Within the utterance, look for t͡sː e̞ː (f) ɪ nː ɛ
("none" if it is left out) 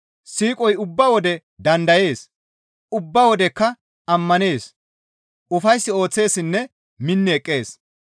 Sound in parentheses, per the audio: s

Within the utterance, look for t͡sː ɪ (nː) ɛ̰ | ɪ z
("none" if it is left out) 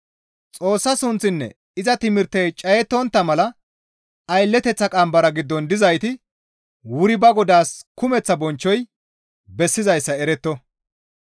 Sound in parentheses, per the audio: nː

